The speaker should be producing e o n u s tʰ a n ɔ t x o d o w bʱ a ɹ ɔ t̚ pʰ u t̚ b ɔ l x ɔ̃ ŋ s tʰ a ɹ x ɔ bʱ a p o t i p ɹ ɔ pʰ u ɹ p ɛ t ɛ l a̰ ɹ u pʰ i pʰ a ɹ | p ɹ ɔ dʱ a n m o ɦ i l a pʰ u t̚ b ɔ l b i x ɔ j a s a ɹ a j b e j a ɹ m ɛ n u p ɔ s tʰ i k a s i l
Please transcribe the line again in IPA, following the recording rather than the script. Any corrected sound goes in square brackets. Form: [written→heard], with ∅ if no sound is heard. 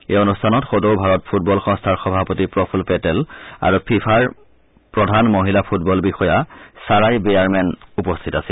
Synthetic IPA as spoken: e o n u s tʰ a n ɔ t x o d o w bʱ a ɹ ɔ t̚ pʰ u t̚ b ɔ l x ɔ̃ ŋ s tʰ a ɹ x ɔ bʱ a p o t i p ɹ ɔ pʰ u [ɹ→l] p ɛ t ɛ l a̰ ɹ u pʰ i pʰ a ɹ | p ɹ ɔ dʱ a n m o ɦ i l a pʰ u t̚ b ɔ l b i x ɔ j a s a ɹ a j b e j a ɹ m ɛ n u p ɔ s tʰ i [k→t] a s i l